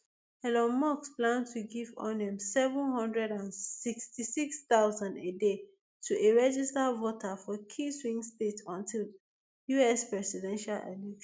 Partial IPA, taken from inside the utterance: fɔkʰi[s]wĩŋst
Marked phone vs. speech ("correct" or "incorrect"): correct